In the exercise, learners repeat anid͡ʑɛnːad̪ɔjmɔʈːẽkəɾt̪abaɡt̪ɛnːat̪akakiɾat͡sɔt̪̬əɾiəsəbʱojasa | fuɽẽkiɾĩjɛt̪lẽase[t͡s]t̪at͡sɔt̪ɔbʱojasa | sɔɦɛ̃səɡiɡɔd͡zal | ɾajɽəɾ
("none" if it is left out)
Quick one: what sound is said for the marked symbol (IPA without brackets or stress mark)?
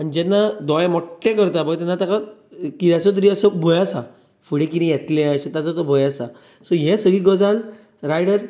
none